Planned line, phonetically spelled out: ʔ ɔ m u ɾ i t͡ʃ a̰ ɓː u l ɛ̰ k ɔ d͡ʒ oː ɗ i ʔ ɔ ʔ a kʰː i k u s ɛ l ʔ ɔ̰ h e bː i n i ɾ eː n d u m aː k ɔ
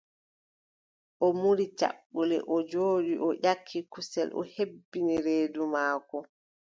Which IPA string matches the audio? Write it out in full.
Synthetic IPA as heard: ʔ ɔ m u ɾ i t͡ʃ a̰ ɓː u l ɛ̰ ʔ ɔ d͡ʒ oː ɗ i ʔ ɔ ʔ a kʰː i k u s ɛ l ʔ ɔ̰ h e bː i n i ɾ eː d u m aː k ɔ